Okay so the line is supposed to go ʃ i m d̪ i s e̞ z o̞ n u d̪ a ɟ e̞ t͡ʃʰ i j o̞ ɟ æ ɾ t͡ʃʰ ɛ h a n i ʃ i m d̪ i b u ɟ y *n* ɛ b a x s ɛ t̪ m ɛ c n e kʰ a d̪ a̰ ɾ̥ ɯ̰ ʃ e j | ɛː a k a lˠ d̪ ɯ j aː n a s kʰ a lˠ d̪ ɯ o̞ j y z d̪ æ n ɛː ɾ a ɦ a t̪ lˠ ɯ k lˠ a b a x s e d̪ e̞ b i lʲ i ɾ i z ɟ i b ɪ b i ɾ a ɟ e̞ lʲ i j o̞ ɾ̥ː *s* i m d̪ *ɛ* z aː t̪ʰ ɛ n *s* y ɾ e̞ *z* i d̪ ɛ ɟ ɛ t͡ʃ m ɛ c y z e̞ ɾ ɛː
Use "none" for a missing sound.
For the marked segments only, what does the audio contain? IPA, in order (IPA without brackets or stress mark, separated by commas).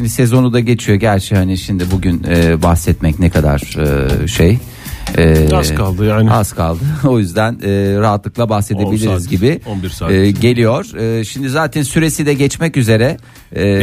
n, ʃ, i, s, s